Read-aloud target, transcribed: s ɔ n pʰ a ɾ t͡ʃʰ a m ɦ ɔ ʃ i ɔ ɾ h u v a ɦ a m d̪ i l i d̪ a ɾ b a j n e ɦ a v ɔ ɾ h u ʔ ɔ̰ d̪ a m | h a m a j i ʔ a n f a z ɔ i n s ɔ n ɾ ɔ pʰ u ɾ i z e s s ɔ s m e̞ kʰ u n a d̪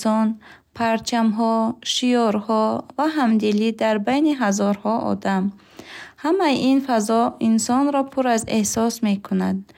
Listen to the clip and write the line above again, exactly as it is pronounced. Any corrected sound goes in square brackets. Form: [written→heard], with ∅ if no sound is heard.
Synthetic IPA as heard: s ɔ n pʰ a ɾ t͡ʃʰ a m ɦ ɔ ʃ i ɔ ɾ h [u→ɔ] v a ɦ a m d̪ i l i d̪ a ɾ b a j n [e→i] ɦ a [v→z] ɔ ɾ h [u→ɔ] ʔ ɔ̰ d̪ a m | h a m a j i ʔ [a→i] n f a z ɔ i n s ɔ n ɾ ɔ pʰ u ɾ [i→a] z e [s→h] s ɔ s m e̞ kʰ u n a d̪